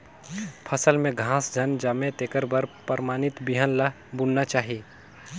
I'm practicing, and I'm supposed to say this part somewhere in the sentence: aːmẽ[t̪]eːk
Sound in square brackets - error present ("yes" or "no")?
no